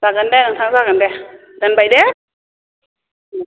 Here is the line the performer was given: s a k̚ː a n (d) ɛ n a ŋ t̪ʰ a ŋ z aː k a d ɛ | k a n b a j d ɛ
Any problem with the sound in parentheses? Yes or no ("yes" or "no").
no